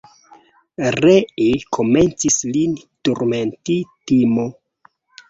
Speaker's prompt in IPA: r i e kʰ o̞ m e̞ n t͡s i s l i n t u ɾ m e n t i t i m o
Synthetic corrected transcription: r e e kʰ o̞ m e̞ n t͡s i s l i n t u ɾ m e n t i t i m o